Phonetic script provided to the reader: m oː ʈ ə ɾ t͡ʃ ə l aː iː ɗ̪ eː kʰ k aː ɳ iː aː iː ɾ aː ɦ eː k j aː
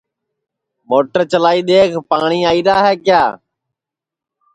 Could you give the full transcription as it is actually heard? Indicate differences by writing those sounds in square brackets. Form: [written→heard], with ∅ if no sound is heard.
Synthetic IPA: m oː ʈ ə ɾ t͡ʃ ə l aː iː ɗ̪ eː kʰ [k→p] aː ɳ iː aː iː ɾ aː ɦ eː k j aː